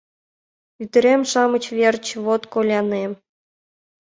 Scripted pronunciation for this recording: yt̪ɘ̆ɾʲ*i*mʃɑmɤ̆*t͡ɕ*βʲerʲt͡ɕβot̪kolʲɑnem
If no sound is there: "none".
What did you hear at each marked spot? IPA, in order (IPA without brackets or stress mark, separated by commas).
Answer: e, t͡ɕ